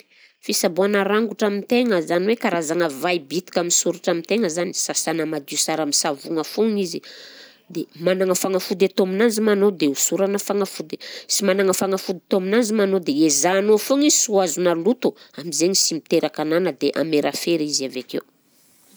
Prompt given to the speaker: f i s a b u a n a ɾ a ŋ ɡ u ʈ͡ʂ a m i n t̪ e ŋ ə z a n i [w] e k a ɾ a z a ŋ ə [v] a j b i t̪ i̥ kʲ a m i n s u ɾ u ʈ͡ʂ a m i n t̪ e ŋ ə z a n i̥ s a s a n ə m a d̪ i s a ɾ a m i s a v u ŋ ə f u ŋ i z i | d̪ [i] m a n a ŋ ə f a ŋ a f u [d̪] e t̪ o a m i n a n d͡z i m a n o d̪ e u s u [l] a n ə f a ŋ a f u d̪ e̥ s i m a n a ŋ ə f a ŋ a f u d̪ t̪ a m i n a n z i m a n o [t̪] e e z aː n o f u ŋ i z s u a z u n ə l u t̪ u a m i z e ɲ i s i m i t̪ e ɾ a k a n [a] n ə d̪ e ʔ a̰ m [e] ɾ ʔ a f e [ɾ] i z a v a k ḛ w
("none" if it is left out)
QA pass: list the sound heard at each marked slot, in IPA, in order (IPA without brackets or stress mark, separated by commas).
w, v, e, d̪, ɾ, d̪, a, e, ɾ